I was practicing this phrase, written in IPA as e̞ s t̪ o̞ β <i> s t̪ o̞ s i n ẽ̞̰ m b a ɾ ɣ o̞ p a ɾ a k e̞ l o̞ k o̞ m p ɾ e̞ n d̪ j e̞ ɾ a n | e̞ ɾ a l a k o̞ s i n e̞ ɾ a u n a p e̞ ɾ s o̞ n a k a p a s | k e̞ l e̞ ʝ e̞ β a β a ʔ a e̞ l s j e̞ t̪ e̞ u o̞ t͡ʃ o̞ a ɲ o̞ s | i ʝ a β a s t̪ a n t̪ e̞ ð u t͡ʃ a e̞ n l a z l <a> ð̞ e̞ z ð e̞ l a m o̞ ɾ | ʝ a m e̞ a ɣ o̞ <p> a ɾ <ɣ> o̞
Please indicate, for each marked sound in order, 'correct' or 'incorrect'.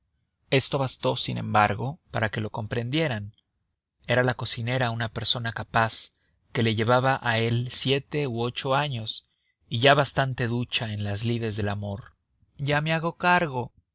incorrect, incorrect, incorrect, correct

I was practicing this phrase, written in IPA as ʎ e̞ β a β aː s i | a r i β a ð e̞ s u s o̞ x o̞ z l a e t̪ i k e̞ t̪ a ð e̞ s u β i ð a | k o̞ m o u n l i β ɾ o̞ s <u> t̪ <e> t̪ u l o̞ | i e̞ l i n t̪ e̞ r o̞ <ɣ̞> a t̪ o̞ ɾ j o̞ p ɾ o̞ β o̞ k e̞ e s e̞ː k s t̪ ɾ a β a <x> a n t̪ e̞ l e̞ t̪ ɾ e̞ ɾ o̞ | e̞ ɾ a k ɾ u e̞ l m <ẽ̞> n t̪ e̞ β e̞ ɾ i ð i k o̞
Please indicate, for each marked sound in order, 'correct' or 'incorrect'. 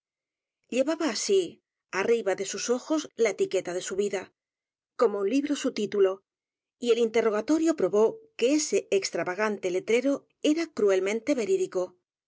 correct, incorrect, correct, incorrect, correct

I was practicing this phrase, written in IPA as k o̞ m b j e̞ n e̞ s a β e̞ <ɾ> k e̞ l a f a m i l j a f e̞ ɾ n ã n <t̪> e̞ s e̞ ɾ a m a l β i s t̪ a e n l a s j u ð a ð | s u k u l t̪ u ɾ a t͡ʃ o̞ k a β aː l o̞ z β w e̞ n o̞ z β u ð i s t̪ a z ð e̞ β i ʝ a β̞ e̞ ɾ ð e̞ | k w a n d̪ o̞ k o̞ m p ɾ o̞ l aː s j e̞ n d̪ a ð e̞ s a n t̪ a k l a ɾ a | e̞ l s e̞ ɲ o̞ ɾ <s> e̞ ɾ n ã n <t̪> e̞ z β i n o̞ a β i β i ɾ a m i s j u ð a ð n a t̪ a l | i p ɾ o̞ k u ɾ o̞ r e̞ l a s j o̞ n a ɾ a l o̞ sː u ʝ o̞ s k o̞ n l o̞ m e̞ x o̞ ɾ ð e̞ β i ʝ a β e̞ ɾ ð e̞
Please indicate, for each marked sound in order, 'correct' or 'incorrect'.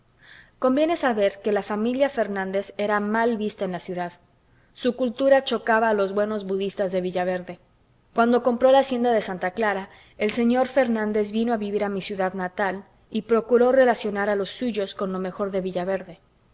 correct, incorrect, incorrect, incorrect

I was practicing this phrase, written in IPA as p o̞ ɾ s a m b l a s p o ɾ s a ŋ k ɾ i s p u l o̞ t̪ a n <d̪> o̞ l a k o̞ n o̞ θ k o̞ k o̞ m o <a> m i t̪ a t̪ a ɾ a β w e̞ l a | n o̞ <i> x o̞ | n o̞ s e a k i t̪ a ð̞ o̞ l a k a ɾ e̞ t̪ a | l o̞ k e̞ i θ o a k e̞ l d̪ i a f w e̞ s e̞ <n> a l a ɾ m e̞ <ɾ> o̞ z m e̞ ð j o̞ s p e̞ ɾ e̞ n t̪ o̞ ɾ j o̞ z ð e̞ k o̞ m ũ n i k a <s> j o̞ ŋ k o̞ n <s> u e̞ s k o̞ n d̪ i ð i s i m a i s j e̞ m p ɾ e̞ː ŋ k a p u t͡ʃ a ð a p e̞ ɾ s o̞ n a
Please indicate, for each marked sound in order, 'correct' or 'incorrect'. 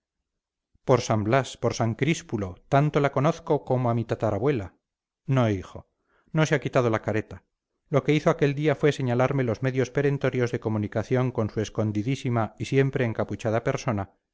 incorrect, correct, correct, incorrect, incorrect, incorrect, correct

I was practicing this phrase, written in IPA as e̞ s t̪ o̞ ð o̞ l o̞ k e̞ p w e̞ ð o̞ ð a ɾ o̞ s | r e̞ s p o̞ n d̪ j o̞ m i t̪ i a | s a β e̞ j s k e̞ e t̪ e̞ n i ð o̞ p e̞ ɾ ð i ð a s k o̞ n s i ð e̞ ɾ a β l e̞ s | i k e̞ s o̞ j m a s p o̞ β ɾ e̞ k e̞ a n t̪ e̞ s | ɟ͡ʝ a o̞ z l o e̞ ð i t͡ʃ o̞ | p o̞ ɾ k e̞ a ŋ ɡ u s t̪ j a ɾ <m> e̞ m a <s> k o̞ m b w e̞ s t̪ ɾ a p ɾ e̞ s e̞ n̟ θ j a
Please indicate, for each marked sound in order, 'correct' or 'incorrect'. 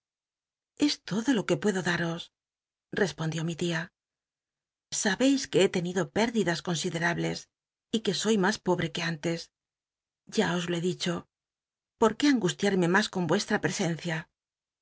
correct, correct

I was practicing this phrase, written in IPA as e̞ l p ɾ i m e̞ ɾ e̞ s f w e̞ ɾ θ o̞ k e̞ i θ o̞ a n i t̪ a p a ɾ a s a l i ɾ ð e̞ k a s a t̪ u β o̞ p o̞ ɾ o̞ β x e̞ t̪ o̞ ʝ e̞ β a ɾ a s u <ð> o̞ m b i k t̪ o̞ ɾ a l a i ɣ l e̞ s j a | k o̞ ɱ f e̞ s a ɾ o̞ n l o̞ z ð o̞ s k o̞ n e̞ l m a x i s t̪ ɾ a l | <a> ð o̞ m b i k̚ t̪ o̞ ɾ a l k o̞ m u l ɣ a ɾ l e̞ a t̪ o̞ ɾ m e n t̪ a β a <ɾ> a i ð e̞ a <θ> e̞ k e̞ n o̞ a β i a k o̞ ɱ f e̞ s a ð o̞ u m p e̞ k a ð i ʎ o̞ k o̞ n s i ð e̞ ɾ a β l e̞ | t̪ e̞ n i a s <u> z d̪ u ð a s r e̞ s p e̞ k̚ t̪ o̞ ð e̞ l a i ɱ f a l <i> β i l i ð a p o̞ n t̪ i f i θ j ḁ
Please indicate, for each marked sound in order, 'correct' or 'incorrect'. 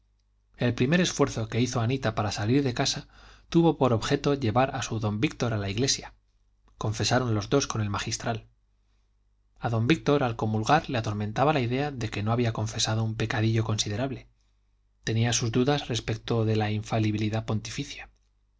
correct, correct, incorrect, incorrect, correct, correct

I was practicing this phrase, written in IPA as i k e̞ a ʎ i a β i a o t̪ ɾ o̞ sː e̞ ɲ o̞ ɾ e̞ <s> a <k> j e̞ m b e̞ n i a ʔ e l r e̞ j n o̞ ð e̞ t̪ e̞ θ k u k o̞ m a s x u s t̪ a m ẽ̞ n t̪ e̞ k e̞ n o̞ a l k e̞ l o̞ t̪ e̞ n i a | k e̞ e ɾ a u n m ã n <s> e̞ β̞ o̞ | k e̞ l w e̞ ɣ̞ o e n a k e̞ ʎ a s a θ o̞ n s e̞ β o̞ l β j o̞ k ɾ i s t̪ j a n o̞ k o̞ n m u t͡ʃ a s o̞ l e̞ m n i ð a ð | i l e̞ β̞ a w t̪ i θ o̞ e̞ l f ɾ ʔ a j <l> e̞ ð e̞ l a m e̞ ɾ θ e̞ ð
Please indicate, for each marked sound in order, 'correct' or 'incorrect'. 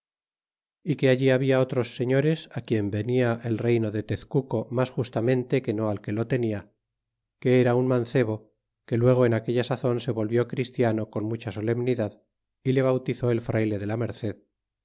correct, correct, incorrect, correct

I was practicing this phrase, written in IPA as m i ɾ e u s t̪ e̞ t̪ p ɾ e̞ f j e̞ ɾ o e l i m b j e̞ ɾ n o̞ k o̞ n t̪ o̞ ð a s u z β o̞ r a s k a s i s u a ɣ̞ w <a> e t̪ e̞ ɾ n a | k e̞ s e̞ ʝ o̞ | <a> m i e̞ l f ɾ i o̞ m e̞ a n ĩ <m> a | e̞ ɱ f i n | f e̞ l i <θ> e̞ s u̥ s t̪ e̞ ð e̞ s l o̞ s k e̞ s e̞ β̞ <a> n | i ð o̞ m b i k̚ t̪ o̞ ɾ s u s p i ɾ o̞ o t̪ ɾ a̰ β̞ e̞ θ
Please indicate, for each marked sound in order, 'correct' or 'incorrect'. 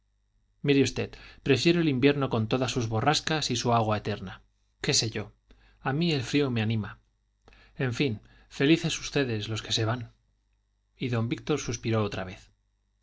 correct, correct, correct, correct, correct

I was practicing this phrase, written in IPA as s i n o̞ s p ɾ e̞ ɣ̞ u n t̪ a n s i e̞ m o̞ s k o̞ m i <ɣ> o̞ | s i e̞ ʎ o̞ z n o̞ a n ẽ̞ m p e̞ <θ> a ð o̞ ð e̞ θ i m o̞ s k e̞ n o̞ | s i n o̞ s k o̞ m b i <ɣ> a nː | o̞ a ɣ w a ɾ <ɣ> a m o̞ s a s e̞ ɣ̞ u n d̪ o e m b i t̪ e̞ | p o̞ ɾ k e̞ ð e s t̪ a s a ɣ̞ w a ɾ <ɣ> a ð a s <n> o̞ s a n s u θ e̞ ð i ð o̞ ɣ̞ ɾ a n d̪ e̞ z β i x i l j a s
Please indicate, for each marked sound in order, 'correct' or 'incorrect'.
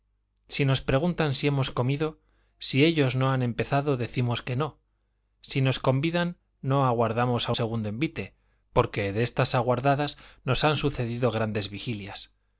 incorrect, correct, incorrect, incorrect, incorrect, correct

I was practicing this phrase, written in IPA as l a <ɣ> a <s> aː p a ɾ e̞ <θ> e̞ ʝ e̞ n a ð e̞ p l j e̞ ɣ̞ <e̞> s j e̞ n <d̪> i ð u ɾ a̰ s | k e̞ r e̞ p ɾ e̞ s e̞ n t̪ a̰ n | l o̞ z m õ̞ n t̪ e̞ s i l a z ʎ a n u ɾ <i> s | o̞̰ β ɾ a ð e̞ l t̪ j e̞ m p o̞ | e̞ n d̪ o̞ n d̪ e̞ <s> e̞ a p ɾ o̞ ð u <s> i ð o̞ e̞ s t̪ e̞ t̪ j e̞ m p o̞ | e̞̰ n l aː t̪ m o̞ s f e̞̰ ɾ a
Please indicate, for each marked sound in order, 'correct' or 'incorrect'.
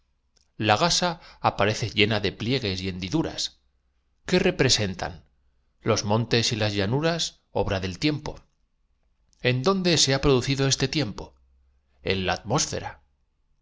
correct, correct, correct, correct, correct, incorrect, correct, incorrect

